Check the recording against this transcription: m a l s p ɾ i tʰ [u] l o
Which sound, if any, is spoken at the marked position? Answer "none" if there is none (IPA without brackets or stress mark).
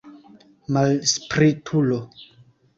u